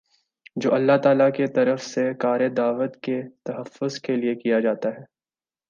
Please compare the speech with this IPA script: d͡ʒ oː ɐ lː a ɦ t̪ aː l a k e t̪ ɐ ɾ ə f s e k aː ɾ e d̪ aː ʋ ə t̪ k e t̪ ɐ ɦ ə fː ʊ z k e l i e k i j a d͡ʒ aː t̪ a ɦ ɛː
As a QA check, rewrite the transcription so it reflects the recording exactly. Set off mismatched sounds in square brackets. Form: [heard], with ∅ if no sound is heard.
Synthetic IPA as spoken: d͡ʒ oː ɐ lː a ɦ t̪ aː l a k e t̪ ɐ ɾ ə f s e k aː ɾ e d̪ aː ʋ ə t̪ k e t̪ ɐ ɦ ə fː ʊ z k e l i e k i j a d͡ʒ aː t̪ a ɦ ɛː